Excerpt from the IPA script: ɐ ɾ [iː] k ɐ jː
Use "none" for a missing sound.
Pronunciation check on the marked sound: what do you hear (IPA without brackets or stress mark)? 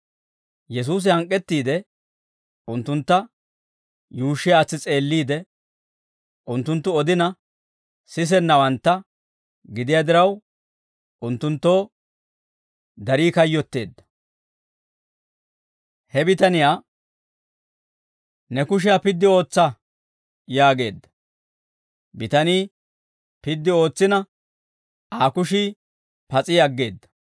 iː